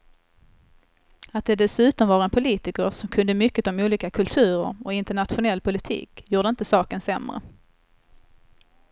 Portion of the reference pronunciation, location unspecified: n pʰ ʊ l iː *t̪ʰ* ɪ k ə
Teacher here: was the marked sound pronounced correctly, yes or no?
no